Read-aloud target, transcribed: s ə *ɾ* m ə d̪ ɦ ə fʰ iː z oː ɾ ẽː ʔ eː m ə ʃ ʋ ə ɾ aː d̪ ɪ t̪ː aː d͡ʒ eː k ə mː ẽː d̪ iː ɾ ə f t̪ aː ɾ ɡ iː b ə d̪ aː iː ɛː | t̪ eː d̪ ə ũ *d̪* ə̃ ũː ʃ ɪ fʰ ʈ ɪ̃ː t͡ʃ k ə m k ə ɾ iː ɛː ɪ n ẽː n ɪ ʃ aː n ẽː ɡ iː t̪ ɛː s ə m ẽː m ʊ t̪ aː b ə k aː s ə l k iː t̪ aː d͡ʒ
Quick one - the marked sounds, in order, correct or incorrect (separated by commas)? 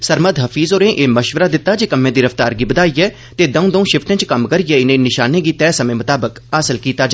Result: correct, correct